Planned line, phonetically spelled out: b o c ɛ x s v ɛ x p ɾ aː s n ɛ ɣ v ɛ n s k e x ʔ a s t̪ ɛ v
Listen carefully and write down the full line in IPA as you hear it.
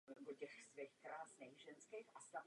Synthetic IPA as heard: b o c ɛ x s v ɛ x k ɾ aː s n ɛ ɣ ʒ ɛ n s k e x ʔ a s t̪ a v